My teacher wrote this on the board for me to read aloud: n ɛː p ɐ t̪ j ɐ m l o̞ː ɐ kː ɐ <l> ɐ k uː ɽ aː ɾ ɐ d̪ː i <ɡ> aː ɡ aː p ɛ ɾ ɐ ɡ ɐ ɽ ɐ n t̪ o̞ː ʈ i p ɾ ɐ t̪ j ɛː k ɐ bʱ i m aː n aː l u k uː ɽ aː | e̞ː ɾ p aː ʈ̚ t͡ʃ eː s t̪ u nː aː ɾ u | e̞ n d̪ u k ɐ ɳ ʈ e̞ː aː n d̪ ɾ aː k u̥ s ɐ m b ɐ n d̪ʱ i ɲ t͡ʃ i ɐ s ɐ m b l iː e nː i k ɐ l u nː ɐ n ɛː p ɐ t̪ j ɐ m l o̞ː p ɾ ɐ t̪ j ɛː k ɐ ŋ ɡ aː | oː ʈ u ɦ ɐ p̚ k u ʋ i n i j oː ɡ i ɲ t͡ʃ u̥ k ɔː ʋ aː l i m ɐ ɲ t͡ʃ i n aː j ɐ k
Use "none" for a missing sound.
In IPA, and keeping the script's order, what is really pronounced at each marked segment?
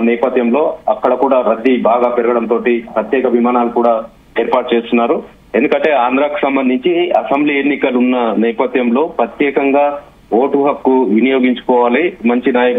ɽ, b

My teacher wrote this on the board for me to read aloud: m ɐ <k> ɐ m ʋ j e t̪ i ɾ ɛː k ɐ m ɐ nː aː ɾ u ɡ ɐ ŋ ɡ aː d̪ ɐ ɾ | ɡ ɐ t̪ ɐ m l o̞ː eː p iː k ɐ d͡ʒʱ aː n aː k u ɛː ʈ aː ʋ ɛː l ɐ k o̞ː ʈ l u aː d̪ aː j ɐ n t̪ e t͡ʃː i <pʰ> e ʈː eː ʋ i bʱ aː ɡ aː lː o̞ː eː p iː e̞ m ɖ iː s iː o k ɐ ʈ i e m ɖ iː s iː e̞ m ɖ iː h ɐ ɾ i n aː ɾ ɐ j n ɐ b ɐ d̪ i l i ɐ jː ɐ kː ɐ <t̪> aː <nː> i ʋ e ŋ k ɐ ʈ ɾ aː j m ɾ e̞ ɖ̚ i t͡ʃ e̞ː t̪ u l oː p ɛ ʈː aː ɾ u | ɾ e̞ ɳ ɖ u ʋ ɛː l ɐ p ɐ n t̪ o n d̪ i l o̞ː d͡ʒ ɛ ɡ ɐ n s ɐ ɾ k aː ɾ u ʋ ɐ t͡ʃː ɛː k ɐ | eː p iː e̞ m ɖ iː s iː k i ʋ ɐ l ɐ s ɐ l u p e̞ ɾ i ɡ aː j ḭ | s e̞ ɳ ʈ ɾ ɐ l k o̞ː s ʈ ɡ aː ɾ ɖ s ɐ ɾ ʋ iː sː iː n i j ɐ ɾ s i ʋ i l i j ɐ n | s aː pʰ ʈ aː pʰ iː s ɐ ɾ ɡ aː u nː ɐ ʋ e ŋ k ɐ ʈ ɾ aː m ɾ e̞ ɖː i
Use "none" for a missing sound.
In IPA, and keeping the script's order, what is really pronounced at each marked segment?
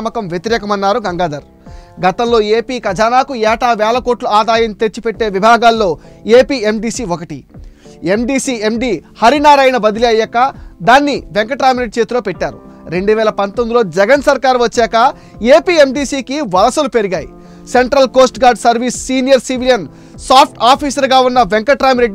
k, p, d̪, nː

